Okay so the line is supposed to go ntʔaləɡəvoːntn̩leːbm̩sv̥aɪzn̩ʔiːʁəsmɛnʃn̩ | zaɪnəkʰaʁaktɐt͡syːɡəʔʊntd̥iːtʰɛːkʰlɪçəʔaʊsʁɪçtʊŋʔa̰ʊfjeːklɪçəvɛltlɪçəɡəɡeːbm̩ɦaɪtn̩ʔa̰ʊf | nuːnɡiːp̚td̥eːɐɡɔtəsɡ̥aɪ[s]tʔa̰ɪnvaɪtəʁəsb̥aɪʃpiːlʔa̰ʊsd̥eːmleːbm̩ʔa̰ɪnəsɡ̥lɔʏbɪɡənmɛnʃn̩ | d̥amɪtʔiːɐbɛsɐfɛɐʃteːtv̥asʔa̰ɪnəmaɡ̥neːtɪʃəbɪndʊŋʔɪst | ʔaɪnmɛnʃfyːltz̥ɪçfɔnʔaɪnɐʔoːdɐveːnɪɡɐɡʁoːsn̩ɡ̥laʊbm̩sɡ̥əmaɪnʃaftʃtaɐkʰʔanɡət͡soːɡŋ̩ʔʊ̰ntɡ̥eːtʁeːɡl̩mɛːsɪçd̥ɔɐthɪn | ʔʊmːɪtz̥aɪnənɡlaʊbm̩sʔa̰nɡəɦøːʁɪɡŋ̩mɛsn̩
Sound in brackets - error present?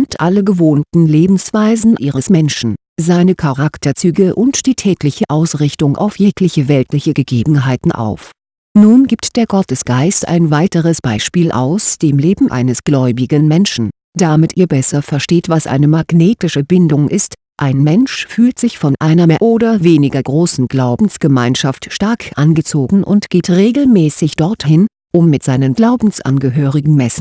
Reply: no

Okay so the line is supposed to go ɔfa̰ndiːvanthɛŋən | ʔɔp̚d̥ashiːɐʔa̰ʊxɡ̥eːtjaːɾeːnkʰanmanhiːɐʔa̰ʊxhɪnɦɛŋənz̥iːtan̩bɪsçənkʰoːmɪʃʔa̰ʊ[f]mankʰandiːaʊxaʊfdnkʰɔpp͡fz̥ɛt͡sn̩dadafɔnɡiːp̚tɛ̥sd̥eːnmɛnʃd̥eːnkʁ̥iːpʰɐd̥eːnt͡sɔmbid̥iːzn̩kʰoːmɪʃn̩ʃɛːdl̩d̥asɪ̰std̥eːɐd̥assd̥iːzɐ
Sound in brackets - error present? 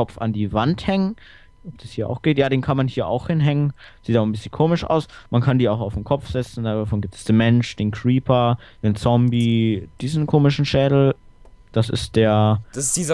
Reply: yes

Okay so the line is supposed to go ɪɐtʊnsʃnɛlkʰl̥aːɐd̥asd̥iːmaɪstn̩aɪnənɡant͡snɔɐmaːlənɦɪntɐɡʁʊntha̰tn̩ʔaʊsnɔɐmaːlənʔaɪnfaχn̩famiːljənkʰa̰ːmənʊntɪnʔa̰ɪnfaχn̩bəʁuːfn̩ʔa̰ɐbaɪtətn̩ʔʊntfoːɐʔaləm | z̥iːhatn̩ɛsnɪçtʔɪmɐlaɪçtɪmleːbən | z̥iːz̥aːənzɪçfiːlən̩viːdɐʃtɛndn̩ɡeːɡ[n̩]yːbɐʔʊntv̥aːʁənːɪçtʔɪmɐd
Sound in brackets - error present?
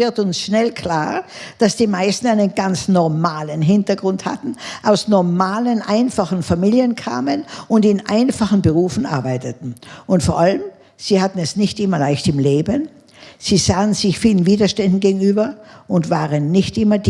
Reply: yes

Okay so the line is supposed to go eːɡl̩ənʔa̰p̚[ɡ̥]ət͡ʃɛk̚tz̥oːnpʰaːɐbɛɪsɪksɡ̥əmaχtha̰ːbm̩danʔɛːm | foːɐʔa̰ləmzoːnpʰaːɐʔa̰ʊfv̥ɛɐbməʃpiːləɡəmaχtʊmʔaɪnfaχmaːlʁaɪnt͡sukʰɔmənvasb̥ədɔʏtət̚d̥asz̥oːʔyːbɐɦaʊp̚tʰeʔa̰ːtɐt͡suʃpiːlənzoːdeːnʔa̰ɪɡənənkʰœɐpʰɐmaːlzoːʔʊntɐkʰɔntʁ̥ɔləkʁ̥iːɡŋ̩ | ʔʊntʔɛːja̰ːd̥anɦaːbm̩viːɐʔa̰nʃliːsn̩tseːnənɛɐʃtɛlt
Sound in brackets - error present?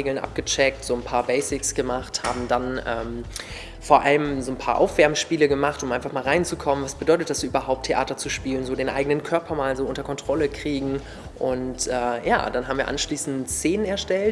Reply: no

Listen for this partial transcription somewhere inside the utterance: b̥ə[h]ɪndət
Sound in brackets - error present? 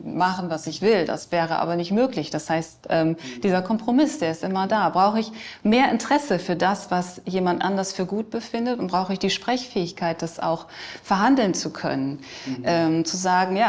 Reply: yes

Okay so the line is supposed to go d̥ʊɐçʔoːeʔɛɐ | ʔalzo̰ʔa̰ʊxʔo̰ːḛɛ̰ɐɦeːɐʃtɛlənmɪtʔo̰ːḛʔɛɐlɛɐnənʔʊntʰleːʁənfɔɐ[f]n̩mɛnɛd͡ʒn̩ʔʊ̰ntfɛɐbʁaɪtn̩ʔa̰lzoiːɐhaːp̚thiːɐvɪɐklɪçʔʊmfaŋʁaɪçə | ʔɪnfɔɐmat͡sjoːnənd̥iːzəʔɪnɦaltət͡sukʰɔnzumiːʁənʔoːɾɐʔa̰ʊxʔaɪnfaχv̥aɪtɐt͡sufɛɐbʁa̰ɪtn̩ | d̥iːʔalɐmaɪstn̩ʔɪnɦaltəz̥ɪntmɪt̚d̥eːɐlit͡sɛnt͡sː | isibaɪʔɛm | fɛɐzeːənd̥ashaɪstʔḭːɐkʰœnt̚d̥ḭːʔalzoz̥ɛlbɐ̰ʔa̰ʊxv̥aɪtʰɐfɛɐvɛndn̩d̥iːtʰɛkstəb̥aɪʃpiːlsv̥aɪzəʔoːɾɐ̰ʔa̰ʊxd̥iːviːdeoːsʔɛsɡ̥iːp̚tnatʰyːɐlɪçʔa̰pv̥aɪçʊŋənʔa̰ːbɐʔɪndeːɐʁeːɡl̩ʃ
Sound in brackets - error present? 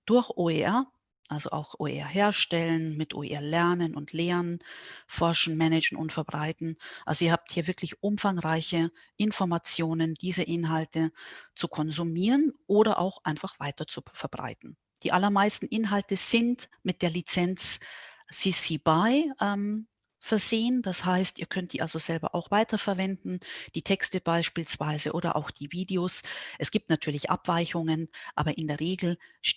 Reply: yes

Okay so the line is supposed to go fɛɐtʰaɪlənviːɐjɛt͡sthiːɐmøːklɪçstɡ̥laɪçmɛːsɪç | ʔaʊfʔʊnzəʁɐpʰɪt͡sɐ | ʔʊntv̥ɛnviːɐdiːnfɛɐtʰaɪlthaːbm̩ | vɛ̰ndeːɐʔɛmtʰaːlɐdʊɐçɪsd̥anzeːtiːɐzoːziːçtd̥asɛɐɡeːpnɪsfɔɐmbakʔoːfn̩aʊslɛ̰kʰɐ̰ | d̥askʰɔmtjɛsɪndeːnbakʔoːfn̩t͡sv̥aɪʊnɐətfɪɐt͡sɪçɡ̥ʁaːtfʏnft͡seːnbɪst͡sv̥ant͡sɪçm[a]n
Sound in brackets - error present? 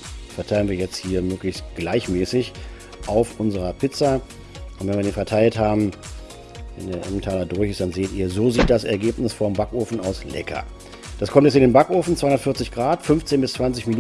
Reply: yes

